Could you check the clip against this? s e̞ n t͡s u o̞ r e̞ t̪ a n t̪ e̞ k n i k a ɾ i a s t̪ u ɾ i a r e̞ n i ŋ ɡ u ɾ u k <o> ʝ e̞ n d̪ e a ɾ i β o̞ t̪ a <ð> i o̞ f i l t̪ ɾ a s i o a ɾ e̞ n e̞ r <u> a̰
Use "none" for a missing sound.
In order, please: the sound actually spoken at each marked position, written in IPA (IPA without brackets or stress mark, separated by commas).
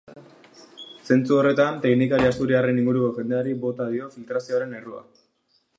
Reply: o, ð, u